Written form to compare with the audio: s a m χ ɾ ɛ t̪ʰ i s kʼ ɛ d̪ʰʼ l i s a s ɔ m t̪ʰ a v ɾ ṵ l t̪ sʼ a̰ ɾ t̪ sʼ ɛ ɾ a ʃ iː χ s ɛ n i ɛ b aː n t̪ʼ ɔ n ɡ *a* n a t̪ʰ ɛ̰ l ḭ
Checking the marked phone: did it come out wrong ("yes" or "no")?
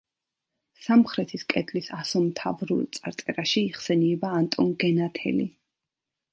yes